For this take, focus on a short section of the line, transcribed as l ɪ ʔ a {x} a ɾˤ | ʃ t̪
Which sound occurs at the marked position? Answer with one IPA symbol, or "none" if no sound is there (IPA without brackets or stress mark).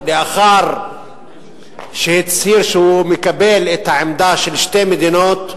x